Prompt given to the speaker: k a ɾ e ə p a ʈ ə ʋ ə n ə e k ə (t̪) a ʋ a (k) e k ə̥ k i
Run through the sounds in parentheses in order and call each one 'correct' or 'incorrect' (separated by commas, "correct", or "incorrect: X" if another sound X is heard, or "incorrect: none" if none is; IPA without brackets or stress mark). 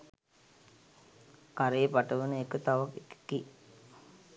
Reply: correct, correct